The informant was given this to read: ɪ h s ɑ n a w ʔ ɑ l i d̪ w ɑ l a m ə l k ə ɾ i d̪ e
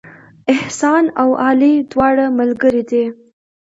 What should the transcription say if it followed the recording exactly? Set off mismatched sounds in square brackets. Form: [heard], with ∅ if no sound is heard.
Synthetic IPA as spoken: ɪ h s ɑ n a w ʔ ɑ l i d̪ w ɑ [ɽ] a m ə l [ɡ] ə ɾ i d̪ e